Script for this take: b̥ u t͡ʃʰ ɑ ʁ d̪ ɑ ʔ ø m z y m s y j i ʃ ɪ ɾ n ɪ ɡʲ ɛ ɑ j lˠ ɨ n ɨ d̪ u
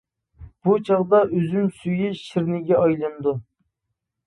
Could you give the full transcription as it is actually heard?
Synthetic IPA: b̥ u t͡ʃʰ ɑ ʁ d̪ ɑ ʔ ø z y m s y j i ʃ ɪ ɾ n ɪ ɡʲ ɛ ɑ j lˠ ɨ n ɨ d̪ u